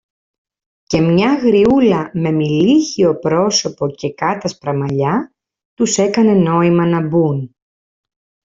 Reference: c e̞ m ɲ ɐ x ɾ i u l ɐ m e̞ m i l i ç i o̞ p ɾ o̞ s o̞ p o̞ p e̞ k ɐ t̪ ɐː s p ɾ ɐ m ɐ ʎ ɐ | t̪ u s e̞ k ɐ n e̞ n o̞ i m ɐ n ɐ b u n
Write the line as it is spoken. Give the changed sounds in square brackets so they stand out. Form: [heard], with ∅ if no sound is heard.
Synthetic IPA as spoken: c e̞ m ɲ ɐ [ɣ] ɾ i u l ɐ m e̞ m i l i ç i o̞ p ɾ o̞ s o̞ p o̞ [c] e̞ k ɐ t̪ [ɐ] s p ɾ ɐ m ɐ ʎ ɐ | t̪ u s e̞ k ɐ n e̞ n o̞ i m ɐ n ɐ b u n

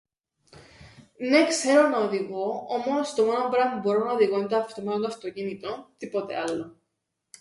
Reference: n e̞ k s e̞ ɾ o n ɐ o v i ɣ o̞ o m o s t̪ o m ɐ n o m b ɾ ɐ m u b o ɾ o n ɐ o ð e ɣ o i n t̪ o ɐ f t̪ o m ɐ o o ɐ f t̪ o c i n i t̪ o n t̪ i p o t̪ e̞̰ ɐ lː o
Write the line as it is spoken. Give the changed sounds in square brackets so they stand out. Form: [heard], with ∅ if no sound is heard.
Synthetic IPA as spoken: n e̞ k s e̞ ɾ o n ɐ o [ð] i ɣ o̞ o m o s t̪ o m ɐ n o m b ɾ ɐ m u b o ɾ o n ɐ o ð [i] ɣ o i n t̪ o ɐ f t̪ o m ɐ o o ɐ f t̪ o c i n i t̪ o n t̪ i p o t̪ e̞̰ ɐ lː o

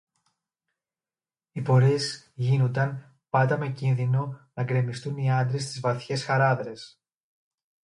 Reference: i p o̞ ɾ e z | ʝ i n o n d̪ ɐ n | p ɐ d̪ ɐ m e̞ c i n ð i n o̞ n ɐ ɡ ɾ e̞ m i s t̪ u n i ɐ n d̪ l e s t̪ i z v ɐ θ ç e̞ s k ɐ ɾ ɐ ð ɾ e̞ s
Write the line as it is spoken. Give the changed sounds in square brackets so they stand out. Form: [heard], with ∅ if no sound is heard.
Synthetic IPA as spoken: i p o̞ ɾ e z | ʝ i n o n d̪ ɐ n | p ɐ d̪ ɐ m e̞ c i n ð i n o̞ n ɐ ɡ ɾ e̞ m i s t̪ u n i ɐ n d̪ [ɾ] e s t̪ i z v ɐ θ ç e̞ s [x] ɐ ɾ ɐ ð ɾ e̞ s

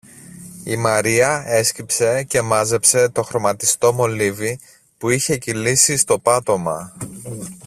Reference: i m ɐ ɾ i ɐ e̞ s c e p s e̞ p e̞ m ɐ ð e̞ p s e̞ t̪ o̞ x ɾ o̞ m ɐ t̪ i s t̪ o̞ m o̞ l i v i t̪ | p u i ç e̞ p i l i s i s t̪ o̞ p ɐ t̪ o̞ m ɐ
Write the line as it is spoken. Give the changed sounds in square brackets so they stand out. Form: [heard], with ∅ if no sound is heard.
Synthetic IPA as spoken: i m ɐ ɾ i ɐ e̞ s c [i] p s e̞ [c] e̞ m ɐ [z] e̞ p s e̞ t̪ o̞ x ɾ o̞ m ɐ t̪ i s t̪ o̞ m o̞ l i v i [∅] | p u i ç e̞ [c] i l i s i s t̪ o̞ p ɐ t̪ o̞ m ɐ

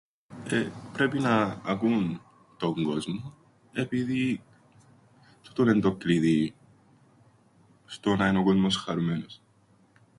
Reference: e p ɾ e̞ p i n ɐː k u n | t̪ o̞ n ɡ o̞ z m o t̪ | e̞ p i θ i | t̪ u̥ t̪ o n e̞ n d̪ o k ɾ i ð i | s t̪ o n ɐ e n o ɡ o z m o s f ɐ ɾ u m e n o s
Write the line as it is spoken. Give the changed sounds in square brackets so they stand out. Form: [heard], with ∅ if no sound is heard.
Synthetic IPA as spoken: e p ɾ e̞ p i n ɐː k u n | t̪ o̞ [ŋ] ɡ o̞ z m o [∅] | e̞ p i [ð] i | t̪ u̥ t̪ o n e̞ n d̪ o k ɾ i ð i | s t̪ o n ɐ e n o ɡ o z m o s [x] ɐ ɾ u m e n o s

